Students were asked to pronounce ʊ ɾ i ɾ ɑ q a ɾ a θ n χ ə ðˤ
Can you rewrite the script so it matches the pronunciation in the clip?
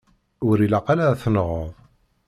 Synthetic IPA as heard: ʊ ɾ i l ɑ q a l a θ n ʁ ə ðˤ